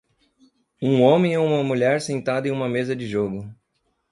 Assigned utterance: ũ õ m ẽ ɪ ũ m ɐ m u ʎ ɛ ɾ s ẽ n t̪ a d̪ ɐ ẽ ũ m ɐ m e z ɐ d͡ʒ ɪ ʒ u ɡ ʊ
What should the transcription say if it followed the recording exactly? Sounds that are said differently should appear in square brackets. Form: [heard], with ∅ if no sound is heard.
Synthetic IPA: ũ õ m ẽ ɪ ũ m ɐ m u ʎ ɛ ɾ s ẽ n t̪ a d̪ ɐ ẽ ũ m ɐ m e z ɐ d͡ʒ ɪ ʒ [o] ɡ ʊ